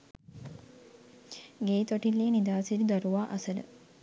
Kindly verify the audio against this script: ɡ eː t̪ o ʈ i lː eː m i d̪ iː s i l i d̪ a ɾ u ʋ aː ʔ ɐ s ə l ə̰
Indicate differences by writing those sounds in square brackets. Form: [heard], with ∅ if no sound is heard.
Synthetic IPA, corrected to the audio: ɡ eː t̪ o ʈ i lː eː [n] i d̪ [aː] s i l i d̪ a ɾ u ʋ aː ʔ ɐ s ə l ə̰